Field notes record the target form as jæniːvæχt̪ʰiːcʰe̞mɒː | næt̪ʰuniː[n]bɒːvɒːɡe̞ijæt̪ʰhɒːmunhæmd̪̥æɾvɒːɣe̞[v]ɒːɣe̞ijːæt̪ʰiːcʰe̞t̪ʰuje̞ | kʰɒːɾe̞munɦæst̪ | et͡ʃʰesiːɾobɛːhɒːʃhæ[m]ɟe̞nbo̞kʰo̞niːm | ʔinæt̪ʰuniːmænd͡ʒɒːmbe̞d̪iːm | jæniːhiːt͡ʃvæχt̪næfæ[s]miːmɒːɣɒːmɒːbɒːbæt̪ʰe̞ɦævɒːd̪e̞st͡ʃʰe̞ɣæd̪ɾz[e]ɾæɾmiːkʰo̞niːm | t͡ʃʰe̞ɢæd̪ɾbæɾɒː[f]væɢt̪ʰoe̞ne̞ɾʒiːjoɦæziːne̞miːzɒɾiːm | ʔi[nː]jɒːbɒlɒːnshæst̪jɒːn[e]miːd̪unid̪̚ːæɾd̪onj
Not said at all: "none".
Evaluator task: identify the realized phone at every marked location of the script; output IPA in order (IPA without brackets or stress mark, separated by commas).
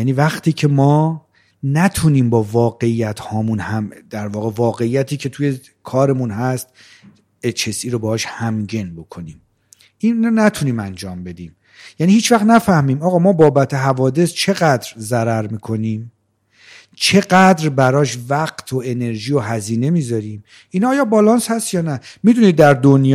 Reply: m, v, m, h, æ, ʃ, nː, æ